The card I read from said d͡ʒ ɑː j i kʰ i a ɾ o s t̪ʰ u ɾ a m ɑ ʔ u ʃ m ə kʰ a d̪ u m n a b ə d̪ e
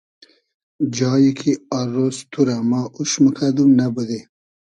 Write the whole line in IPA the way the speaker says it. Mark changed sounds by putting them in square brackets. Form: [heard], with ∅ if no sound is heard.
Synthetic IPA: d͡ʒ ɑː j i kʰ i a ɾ o s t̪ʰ u ɾ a m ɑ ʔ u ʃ m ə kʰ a d̪ u m n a b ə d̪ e